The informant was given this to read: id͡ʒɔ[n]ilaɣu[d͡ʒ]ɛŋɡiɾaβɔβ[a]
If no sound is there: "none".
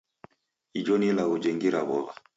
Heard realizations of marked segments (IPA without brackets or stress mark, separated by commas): n, d͡ʒ, a